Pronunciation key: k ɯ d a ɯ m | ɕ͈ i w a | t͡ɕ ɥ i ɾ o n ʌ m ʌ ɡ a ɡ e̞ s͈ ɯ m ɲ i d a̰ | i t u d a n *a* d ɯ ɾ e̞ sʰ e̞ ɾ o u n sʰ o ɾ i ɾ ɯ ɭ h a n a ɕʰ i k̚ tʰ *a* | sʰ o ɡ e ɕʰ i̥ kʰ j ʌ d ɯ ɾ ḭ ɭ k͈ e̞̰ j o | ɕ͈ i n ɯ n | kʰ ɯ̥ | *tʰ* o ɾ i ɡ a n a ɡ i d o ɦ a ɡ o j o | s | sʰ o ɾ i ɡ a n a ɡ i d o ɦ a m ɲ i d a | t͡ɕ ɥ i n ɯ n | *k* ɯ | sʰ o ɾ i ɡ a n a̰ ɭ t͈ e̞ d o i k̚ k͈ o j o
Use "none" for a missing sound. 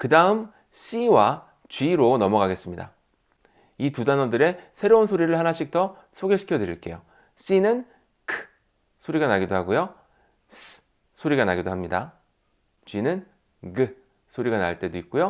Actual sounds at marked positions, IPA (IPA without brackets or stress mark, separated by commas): ʌ, ʌ, sʰ, ɡ